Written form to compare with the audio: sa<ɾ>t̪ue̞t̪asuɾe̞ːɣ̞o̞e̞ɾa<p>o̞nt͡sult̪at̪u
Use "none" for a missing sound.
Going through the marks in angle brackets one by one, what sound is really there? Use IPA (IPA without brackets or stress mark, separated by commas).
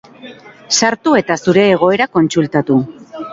ɾ, k